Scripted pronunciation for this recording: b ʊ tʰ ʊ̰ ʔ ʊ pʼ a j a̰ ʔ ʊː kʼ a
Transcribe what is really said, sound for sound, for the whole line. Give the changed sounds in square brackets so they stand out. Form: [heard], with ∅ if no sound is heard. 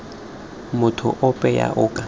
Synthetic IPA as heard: [m] ʊ tʰ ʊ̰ ʔ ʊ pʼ [ɛ] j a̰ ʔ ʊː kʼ a